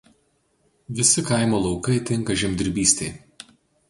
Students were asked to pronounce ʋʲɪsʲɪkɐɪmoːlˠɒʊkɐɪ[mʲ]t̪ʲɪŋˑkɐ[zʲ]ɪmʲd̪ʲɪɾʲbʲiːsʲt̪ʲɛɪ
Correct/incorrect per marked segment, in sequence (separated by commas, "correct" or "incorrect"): incorrect, incorrect